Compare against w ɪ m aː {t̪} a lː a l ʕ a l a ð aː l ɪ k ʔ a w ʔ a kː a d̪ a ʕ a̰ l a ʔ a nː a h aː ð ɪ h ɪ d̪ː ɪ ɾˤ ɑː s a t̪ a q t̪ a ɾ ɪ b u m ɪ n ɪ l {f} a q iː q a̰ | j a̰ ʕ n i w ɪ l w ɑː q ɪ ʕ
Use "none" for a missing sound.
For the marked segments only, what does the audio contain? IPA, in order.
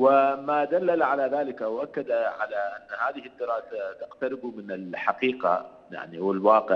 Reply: d̪, ħ

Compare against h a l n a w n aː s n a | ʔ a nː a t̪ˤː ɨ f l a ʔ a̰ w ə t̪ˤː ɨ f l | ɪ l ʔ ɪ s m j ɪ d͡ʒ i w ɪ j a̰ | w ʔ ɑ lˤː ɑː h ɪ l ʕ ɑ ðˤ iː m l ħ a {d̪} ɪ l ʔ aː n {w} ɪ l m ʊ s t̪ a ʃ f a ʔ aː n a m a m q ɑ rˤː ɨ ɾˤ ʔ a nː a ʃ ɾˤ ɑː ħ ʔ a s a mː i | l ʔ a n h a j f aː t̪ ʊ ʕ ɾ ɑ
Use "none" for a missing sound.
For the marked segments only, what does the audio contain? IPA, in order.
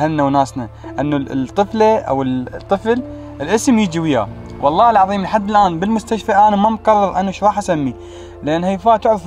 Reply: d̪ː, b

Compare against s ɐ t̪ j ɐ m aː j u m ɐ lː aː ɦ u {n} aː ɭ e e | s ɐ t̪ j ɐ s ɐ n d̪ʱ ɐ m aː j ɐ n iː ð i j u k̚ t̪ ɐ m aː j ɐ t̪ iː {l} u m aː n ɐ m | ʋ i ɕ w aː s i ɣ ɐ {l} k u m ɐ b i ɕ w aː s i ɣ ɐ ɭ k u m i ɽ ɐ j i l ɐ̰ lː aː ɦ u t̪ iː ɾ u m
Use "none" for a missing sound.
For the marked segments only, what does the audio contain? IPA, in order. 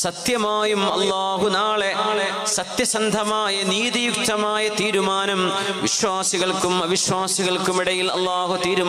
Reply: n, ɾ, ɭ

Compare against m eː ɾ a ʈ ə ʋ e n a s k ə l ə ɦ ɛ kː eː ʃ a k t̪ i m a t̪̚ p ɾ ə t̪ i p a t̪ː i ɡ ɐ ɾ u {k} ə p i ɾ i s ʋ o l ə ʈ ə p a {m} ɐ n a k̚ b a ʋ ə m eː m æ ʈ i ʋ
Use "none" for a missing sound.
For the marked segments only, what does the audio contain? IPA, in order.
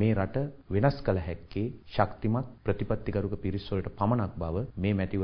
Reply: k, m

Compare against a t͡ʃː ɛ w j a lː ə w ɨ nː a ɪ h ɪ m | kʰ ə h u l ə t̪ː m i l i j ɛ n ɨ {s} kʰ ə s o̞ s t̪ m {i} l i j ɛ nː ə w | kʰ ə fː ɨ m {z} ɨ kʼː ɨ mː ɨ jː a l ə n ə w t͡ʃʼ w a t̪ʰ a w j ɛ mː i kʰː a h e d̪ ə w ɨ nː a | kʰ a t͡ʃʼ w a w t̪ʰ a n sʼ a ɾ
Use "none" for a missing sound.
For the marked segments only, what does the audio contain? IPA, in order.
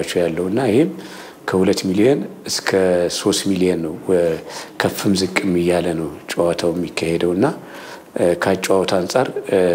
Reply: s, i, z

